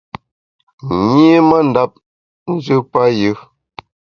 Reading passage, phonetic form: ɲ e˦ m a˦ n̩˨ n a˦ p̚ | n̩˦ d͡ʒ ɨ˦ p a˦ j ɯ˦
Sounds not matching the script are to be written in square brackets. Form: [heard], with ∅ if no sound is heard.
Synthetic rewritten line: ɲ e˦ m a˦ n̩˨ [d] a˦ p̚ | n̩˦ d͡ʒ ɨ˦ p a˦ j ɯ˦